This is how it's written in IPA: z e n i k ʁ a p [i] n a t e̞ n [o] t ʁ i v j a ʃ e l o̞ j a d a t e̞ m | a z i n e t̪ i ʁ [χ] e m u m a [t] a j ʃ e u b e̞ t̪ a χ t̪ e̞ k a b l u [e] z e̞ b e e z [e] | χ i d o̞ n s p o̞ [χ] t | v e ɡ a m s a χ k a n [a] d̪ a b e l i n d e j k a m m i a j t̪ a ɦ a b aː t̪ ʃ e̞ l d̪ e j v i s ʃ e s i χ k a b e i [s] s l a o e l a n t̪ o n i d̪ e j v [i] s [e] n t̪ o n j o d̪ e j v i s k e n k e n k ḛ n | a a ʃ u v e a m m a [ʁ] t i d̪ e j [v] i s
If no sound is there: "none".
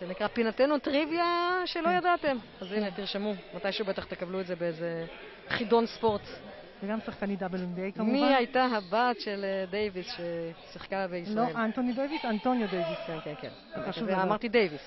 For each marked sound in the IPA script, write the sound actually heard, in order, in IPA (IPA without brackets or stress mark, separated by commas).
i, u, ʃ, t, e, e, ʁ, i, s, i, a, ʁ, v